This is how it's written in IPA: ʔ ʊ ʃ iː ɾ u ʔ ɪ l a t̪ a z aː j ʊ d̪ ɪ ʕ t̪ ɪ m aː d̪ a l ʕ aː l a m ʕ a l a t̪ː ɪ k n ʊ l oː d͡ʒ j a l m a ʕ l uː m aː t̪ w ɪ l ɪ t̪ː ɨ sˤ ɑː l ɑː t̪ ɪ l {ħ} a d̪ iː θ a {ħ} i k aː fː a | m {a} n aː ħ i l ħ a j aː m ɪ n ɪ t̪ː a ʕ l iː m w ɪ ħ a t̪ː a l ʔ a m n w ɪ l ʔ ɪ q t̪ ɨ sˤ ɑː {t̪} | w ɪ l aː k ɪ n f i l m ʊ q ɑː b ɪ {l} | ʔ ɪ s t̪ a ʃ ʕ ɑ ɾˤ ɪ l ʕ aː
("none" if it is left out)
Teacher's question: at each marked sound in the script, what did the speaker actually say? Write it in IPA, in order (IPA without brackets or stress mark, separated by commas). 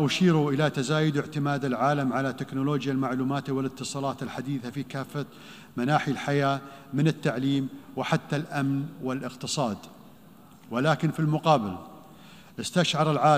ħ, f, a, d̪, l